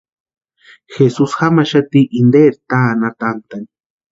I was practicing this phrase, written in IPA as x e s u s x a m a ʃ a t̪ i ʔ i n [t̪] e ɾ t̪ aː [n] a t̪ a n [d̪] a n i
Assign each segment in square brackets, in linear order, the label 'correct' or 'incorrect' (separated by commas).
incorrect, correct, incorrect